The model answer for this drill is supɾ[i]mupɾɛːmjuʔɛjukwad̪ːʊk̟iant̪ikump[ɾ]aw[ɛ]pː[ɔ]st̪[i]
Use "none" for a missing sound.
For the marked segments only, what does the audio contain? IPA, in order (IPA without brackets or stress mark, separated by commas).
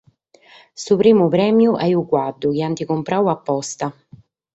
iː, ɾ, a, ɔ, a